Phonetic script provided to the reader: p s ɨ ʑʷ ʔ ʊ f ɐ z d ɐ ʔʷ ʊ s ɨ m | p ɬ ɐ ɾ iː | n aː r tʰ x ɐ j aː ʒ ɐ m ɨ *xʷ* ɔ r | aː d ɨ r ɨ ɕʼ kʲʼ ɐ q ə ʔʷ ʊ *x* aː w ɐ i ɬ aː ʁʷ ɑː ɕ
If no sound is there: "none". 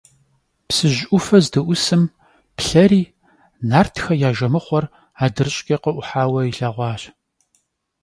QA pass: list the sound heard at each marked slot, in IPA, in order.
χʷ, ħ

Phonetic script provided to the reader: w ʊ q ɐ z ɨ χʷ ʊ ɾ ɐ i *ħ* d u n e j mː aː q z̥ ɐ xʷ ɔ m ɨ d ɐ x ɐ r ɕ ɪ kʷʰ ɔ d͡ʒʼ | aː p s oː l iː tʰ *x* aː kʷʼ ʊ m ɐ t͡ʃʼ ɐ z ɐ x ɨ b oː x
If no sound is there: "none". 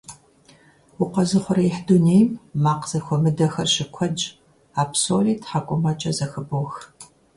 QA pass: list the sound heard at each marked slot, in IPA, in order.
ħ, ħ

